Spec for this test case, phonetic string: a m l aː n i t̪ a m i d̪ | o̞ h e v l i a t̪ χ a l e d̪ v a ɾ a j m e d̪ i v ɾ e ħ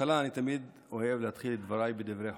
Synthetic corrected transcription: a l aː n i t̪ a m i d̪ | o̞ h e v l e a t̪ χ i l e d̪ v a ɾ a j b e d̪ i v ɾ e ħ